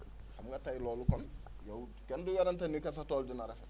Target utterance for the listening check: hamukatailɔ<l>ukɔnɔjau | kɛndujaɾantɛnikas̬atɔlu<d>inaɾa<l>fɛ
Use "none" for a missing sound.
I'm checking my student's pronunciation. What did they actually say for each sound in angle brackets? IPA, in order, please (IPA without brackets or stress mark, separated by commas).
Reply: l, d, none